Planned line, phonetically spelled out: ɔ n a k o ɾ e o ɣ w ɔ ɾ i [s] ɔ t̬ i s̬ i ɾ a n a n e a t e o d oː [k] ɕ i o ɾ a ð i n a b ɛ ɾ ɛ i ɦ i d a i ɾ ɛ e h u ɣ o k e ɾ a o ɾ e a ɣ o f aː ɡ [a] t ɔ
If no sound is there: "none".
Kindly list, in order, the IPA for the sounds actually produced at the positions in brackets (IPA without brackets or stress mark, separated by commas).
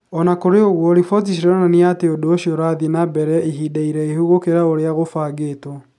f, none, e